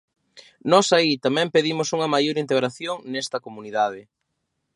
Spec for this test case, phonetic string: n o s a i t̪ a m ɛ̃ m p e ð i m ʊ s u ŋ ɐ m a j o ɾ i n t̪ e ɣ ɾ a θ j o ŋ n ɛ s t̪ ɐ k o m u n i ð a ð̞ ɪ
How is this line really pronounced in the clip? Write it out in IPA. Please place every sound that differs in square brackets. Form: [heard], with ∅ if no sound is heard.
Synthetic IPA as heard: n [ɔ] s a i t̪ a m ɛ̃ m p e ð i m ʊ s u ŋ ɐ m a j o ɾ i n t̪ e ɣ ɾ a θ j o ŋ n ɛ s t̪ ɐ k o m u n i ð a ð̞ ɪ